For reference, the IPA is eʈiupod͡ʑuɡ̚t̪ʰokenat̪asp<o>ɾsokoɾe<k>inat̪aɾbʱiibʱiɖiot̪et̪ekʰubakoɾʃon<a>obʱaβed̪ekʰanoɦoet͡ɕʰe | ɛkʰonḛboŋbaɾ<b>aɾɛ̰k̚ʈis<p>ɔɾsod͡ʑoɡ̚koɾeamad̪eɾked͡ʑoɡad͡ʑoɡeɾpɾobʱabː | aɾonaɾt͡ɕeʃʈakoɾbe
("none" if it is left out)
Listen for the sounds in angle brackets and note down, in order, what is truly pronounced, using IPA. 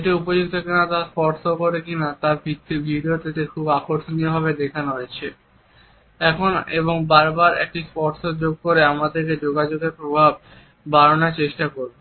ɔ, k, i, b, p

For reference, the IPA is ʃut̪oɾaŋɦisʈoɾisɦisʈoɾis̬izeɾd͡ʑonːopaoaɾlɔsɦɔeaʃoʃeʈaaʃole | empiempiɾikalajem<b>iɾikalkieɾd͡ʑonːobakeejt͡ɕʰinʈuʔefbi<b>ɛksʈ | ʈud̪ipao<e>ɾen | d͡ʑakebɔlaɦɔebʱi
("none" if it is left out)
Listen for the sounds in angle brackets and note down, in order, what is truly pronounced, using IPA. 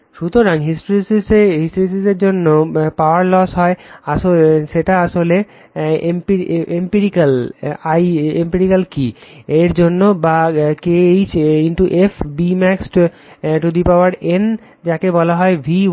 p, m, a

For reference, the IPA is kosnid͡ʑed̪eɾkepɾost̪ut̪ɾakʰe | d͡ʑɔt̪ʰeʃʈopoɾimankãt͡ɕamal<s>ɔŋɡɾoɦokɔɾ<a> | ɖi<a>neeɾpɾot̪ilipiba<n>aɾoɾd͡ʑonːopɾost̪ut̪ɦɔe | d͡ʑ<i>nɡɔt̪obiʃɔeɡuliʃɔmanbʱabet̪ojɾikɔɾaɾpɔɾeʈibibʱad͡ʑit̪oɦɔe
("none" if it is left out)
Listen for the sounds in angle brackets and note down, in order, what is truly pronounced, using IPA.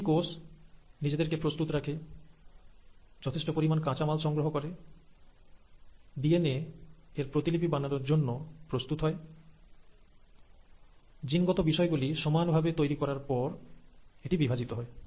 ʃ, e, e, n, i

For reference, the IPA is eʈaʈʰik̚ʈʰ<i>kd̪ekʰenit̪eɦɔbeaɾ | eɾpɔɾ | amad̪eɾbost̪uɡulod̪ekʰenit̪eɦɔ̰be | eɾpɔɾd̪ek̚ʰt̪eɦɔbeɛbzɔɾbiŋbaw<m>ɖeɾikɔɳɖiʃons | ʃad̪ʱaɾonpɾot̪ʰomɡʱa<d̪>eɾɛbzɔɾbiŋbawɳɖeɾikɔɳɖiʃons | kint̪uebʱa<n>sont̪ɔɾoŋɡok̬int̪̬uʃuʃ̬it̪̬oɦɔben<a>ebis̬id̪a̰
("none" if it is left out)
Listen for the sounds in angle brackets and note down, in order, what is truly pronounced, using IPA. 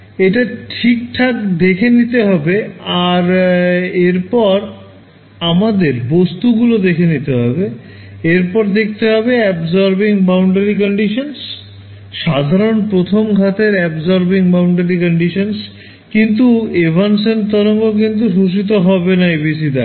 a, ɳ, t̪, n, a

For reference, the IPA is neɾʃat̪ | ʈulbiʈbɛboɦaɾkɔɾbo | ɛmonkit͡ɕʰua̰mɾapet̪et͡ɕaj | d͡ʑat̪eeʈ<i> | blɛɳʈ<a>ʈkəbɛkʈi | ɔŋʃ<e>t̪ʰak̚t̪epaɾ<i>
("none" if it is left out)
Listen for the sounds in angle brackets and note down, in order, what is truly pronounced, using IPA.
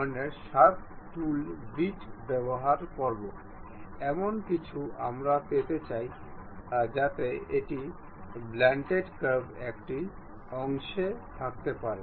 i, e, e, e

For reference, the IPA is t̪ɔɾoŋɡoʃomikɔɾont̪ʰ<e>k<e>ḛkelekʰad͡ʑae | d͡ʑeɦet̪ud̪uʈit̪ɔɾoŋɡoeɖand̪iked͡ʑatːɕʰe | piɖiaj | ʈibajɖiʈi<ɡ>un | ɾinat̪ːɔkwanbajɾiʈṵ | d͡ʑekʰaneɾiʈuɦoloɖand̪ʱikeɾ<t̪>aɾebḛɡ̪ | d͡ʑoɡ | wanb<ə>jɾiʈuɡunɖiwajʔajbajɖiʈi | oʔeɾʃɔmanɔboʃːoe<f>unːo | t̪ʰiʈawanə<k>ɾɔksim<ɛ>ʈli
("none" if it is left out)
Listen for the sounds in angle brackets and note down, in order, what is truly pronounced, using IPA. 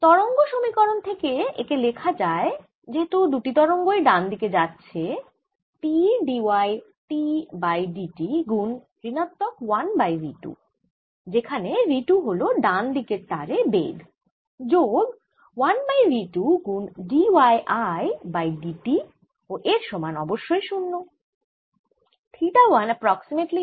e, e, ɡ, t̪, a, ʃ, p, e

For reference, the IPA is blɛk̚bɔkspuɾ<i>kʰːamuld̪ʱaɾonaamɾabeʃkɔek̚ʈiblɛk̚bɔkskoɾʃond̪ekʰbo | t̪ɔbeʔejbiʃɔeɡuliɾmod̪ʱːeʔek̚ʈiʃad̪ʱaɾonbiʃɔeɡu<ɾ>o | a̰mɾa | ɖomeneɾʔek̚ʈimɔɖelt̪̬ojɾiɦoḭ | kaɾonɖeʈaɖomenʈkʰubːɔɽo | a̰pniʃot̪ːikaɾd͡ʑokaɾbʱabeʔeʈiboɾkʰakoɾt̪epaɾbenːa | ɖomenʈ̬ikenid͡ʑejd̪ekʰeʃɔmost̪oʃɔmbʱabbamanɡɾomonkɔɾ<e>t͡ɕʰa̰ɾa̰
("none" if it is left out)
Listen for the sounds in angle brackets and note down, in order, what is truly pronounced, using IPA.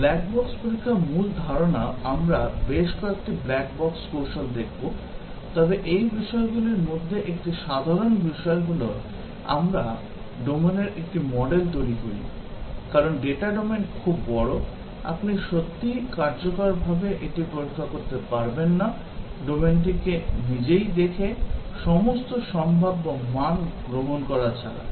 i, l, a

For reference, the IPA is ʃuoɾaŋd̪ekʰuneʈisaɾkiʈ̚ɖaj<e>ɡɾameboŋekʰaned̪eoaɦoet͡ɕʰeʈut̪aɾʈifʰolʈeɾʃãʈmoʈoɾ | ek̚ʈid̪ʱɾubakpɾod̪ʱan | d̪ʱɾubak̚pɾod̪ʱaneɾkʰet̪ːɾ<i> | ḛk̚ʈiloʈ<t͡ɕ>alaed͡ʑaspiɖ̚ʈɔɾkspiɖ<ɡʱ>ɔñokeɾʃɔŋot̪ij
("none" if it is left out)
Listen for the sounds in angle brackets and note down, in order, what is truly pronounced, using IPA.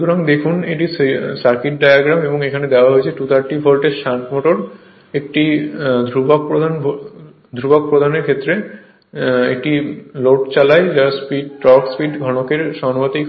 a, e, t͡ɕ, ɡʱ

